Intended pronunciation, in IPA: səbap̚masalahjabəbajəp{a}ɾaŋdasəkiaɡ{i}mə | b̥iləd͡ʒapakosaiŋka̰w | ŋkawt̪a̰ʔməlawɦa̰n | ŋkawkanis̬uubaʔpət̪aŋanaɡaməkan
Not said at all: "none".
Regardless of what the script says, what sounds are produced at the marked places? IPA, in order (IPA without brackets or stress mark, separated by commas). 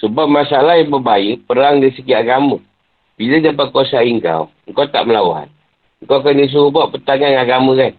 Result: ə, a